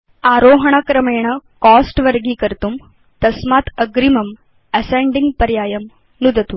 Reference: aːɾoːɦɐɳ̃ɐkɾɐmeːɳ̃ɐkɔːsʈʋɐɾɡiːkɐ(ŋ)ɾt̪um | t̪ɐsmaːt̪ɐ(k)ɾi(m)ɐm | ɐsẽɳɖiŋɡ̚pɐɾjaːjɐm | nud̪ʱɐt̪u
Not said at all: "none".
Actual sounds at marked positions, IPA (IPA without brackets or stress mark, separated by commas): none, ɡ, m